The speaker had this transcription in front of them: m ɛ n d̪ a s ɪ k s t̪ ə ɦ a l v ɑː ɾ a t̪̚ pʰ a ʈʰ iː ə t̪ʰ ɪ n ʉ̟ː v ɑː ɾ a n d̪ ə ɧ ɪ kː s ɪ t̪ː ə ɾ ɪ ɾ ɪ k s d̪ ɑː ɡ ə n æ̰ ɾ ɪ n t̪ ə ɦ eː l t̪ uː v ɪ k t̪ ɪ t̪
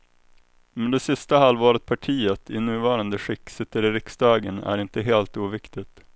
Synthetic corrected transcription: m ɛ n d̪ ɛ s ɪ s t̪ a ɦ a l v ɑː ɾ ə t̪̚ pʰ a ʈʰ iː ə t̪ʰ ɪ n ʉ̟ː v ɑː ɾ a n d̪ ə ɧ ɪ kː s ɪ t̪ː ə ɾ ɪ ɾ ɪ k s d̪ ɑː ɡ ə n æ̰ ɾ ɪ n t̪ ə ɦ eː l t̪ uː v ɪ k t̪ ɪ t̪